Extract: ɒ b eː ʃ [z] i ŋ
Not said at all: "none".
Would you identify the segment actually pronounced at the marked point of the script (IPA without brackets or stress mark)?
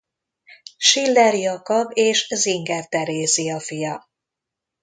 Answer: z